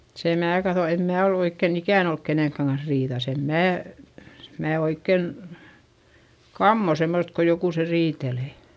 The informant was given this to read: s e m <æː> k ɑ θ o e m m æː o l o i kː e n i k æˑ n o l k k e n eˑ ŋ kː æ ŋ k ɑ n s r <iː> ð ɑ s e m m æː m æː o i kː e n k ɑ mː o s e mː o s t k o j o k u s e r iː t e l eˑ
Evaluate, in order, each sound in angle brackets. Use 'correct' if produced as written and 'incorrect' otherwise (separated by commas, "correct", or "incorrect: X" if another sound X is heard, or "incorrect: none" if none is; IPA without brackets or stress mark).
correct, correct